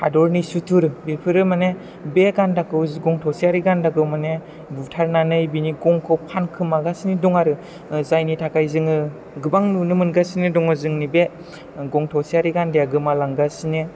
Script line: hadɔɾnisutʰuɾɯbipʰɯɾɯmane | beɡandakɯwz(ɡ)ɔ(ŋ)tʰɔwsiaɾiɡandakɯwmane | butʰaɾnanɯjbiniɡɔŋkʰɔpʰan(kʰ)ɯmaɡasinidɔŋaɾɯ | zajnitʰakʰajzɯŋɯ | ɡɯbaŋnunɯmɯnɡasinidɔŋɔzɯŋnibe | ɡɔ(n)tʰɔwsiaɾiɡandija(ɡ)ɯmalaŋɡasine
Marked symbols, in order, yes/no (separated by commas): yes, yes, yes, no, yes